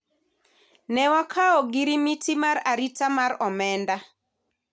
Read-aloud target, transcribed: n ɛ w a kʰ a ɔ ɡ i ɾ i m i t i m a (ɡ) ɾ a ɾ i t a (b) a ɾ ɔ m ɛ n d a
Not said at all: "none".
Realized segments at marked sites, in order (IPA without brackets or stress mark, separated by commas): none, m